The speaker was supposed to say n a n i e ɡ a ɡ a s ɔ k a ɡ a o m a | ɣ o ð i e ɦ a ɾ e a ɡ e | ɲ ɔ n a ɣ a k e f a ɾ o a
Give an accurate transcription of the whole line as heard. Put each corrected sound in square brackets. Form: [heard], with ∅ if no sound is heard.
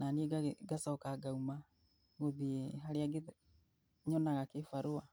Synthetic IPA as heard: n a n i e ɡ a ɡ a s ɔ k a ɡ a [u] m a | ɣ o ð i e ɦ a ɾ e a ɡ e | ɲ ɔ n a ɣ a k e f a ɾ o a

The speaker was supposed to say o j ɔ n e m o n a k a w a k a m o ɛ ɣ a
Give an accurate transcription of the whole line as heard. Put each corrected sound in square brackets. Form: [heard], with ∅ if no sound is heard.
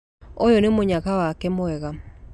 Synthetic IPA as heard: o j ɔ n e m o [ɲ] a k a w a k [ɛ] m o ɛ ɣ a

